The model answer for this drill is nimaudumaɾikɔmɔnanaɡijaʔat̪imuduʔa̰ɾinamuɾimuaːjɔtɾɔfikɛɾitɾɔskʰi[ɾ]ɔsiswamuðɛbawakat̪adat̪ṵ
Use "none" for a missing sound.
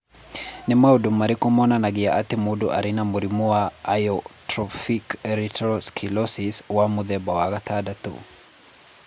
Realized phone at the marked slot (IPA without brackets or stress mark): l